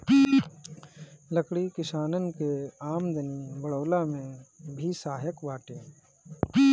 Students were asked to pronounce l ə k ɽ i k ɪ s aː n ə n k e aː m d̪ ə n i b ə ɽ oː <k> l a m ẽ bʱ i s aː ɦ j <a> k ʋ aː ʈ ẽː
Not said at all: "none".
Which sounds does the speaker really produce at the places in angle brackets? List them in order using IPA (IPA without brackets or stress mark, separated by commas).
none, ə